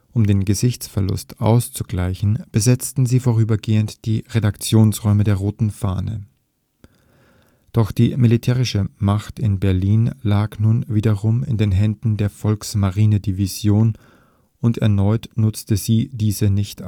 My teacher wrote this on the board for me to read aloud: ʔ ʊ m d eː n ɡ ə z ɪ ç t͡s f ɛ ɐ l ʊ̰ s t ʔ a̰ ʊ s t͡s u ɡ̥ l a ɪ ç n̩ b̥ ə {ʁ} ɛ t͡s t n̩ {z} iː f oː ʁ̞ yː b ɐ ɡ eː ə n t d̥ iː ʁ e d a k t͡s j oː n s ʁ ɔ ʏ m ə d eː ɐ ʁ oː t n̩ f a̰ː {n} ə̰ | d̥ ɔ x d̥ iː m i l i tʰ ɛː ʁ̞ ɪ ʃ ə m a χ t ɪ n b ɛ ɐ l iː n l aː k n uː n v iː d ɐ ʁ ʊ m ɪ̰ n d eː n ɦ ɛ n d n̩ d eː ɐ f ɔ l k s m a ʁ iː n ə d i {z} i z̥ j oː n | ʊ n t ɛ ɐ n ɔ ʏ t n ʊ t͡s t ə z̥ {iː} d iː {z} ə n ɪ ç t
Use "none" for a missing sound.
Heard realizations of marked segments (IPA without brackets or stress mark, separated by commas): z, z, n, v, iː, z